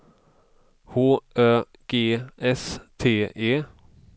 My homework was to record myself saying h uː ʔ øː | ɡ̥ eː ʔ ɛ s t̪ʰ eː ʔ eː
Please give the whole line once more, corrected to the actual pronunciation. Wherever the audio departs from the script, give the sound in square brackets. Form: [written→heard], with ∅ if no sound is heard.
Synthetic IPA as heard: h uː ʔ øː | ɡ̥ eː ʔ ɛ s t̪ʰ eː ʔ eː